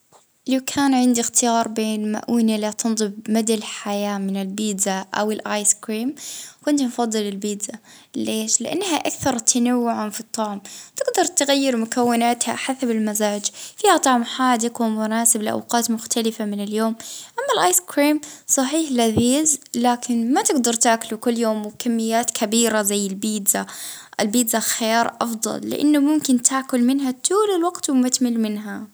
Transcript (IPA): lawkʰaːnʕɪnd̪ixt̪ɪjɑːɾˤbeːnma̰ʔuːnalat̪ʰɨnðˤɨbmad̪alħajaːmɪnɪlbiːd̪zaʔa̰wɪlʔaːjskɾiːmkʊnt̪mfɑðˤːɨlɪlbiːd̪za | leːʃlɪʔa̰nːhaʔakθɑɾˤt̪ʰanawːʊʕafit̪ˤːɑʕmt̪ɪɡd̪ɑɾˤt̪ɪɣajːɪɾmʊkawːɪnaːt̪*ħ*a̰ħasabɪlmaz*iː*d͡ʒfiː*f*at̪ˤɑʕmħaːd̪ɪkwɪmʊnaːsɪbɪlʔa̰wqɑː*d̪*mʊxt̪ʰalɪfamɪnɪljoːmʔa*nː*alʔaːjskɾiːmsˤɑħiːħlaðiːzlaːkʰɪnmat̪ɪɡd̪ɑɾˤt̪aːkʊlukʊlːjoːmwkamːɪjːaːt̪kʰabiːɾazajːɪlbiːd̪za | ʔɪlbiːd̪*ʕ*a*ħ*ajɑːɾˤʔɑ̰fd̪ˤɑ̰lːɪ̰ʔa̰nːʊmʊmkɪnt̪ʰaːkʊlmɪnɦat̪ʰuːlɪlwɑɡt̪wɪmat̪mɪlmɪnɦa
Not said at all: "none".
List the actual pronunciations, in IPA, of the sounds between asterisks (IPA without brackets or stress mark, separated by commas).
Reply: h, aː, h, t̪, mː, z, x